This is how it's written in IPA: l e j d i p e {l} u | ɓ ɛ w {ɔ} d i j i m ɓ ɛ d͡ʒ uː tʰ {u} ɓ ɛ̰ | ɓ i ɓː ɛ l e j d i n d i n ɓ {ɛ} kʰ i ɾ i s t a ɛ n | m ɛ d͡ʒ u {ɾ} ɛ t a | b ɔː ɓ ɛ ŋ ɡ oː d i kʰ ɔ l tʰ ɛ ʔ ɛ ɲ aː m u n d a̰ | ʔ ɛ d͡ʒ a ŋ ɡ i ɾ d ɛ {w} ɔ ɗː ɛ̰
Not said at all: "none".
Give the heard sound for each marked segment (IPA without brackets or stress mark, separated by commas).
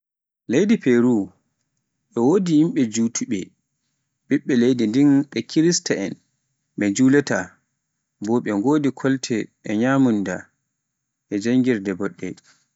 ɾ, o, u, ɛ, l, b